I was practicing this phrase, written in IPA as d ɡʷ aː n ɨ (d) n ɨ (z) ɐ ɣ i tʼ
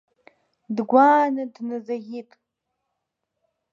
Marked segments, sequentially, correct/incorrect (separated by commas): correct, correct